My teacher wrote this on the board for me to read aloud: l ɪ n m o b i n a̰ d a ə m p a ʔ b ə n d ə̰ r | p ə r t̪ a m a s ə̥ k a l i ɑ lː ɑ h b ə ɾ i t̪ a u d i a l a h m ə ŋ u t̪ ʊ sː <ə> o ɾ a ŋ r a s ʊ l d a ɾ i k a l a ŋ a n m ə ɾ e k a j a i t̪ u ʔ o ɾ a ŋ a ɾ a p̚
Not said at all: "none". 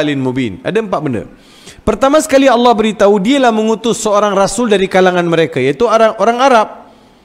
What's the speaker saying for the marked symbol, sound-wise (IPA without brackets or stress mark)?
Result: ə